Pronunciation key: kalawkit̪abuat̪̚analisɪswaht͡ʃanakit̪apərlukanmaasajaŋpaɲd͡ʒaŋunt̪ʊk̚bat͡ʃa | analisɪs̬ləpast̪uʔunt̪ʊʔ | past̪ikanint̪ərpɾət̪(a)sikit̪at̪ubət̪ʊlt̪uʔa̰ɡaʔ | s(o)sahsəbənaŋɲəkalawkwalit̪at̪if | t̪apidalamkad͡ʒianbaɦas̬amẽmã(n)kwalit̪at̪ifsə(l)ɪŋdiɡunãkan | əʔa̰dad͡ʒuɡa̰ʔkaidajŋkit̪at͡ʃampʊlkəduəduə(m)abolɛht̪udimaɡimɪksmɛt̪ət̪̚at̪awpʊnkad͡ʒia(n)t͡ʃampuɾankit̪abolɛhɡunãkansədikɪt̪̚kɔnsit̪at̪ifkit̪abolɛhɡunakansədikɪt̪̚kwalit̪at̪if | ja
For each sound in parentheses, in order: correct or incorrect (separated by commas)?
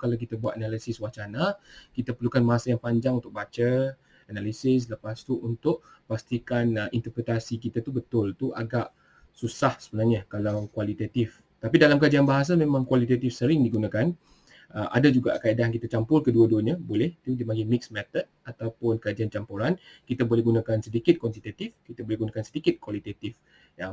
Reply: correct, incorrect, incorrect, incorrect, incorrect, correct